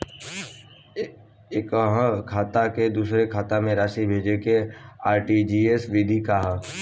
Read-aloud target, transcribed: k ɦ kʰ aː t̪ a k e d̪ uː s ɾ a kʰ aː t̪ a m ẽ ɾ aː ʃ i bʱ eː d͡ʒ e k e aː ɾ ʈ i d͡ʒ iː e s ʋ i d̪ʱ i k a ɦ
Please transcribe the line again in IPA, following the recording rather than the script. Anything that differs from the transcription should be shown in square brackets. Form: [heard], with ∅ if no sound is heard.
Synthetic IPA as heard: k ɦ kʰ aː t̪ a k e d̪ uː s ɾ [e] kʰ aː t̪ a m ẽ ɾ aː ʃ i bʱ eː d͡ʒ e k e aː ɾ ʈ i d͡ʒ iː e s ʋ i d̪ʱ i k a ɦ

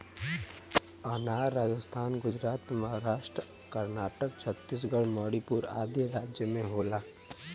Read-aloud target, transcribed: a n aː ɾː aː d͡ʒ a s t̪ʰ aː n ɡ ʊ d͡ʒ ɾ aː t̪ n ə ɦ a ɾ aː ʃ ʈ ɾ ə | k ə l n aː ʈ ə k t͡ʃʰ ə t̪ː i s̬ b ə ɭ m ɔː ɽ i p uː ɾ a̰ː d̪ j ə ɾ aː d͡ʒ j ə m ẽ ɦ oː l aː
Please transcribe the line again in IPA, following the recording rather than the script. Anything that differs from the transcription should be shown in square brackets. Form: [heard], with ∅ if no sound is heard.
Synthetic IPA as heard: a n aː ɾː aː d͡ʒ [ə] s t̪ʰ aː n ɡ ʊ d͡ʒ ɾ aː t̪ [m] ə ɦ a ɾ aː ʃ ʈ ɾ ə | k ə [ɾ] n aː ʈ ə k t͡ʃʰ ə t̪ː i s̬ [ɡ] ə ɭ m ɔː ɽ i p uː ɾ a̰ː d̪ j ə ɾ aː d͡ʒ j ə m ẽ ɦ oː l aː

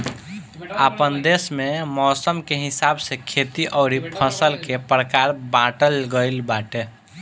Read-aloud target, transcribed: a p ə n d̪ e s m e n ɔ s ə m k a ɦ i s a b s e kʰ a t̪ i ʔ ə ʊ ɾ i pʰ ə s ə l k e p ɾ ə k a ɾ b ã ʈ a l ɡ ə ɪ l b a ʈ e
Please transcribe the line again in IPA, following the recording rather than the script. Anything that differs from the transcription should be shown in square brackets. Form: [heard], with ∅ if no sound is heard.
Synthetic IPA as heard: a p ə n d̪ e s m e [m] ɔ s ə m k [e] ɦ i s a b s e kʰ [e] t̪ i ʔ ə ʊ ɾ i pʰ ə s ə l k e p ɾ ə k a ɾ b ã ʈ [ə] l ɡ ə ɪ l b a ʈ e

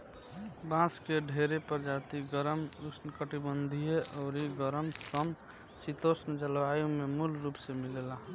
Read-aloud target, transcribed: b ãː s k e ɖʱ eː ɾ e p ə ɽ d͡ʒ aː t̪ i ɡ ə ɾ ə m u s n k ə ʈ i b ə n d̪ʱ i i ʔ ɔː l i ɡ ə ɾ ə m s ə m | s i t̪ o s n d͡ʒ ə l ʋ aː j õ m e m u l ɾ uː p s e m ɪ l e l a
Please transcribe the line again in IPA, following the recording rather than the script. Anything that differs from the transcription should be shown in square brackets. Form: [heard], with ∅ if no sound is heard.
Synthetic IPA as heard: b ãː s k e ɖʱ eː ɾ e p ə [ɾ] d͡ʒ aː t̪ i ɡ ə ɾ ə m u s n k ə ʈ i b ə n d̪ʱ i [e] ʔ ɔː [ɾ] i ɡ ə ɾ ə m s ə m | s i t̪ o s n d͡ʒ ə l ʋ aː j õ m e m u l ɾ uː p s e m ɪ l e l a

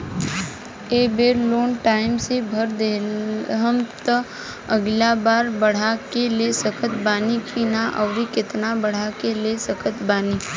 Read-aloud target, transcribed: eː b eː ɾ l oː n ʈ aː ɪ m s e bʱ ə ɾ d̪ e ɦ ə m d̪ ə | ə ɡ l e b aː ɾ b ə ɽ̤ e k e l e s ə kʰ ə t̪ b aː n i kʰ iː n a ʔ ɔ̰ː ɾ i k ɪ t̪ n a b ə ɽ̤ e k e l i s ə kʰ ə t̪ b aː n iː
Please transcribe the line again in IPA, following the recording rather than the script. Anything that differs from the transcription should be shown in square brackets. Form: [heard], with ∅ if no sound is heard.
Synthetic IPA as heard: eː b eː ɾ l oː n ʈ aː ɪ m s e bʱ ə ɾ d̪ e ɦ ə m [t̪] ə | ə ɡ l [a] b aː ɾ b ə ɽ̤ [a] k e l e s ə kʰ ə t̪ b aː n i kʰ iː n a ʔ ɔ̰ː ɾ i k ɪ t̪ n a b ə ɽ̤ [a] k e l [e] s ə kʰ ə t̪ b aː n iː

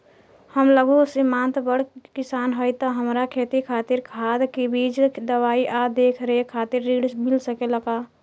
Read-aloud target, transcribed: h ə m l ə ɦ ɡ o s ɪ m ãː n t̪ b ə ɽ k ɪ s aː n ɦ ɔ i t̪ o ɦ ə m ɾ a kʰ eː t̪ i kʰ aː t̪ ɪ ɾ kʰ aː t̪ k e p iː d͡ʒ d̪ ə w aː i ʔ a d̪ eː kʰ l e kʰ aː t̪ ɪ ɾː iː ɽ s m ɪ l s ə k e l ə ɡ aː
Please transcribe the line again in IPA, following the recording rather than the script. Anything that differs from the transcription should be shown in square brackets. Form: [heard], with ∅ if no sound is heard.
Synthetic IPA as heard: h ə m l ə [∅] ɡ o s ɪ m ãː n t̪ b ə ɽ k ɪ s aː n ɦ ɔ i t̪ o ɦ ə m ɾ a kʰ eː t̪ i kʰ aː t̪ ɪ ɾ kʰ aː [d̪] k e [b] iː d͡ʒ d̪ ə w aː i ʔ a d̪ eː kʰ [ɾ] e kʰ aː t̪ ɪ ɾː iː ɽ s m ɪ l s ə k e l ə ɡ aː

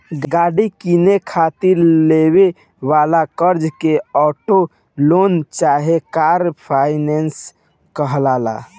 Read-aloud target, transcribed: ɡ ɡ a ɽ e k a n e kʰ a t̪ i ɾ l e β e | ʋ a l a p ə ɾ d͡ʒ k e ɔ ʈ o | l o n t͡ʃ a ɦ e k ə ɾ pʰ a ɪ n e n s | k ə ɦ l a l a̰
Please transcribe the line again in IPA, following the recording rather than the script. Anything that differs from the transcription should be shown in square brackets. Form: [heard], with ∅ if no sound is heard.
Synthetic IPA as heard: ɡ ɡ a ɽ [i] k [i] n e kʰ a t̪ i ɾ l e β e | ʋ a l a [k] ə ɾ d͡ʒ k e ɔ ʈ o | l o n t͡ʃ a ɦ e k [a] ɾ pʰ a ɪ n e n s | k ə ɦ l a l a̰

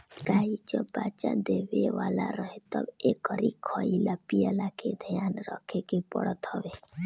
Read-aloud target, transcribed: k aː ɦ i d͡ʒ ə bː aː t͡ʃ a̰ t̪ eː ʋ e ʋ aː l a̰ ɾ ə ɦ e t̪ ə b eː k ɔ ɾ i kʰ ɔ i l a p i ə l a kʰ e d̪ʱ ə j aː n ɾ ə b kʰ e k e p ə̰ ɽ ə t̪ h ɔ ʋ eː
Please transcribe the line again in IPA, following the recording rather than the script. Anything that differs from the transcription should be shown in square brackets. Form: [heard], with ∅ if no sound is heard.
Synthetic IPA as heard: k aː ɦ i d͡ʒ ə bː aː t͡ʃ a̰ [d̪] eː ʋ e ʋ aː l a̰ ɾ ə ɦ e t̪ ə b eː k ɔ ɾ i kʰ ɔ i l a p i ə l a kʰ e d̪ʱ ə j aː n ɾ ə [∅] kʰ e k e p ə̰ ɽ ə t̪ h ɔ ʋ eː

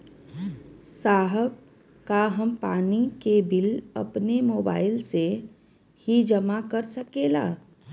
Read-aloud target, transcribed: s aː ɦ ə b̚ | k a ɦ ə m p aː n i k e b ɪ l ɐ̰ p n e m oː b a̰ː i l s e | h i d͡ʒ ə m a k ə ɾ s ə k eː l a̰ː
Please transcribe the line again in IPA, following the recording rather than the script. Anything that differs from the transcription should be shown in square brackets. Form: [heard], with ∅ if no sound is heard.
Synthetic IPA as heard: s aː ɦ ə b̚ | k a ɦ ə m p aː n i k e b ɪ l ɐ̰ p n e m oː b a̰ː [ɪ] l s e | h i d͡ʒ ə m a k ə ɾ s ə k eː l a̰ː

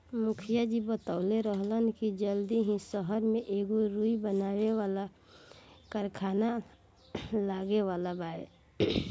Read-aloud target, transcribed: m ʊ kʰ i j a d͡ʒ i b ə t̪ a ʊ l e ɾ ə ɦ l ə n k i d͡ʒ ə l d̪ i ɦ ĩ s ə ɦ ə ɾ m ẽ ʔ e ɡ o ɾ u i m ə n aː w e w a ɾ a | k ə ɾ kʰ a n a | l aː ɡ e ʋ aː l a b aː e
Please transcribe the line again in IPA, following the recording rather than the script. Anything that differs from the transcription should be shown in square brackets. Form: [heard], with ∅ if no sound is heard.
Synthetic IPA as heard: m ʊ kʰ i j a d͡ʒ i b ə t̪ a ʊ l e ɾ ə ɦ l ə n k i d͡ʒ ə l d̪ i ɦ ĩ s ə ɦ ə ɾ m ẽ ʔ e ɡ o ɾ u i [b] ə n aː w e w a [l] a | k ə ɾ kʰ a n a | l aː ɡ e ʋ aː l a b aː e

